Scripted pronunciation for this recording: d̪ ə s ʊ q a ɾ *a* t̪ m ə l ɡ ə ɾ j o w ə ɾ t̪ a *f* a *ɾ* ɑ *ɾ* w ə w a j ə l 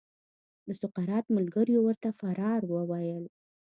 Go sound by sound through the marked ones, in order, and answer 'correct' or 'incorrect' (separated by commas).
incorrect, correct, correct, correct